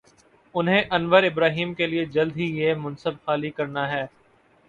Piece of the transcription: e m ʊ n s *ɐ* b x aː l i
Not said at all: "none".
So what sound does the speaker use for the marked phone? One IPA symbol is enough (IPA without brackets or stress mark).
ə